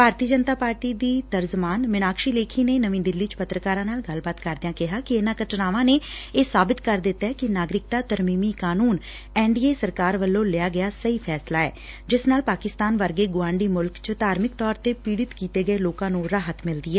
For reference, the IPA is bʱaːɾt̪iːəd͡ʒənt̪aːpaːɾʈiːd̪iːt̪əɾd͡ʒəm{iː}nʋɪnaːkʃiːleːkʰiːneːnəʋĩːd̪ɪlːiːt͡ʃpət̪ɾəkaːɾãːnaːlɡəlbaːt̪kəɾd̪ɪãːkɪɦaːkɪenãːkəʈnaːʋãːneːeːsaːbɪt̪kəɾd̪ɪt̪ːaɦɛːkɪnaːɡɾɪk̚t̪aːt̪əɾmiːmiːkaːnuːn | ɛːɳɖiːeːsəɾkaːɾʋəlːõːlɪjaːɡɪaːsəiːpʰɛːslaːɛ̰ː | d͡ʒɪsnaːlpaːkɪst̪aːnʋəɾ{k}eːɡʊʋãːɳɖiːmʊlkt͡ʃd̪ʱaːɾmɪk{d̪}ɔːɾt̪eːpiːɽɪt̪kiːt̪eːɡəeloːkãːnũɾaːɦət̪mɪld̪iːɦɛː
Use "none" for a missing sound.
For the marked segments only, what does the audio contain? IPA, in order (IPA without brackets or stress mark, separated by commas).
aː, ɡ, t̪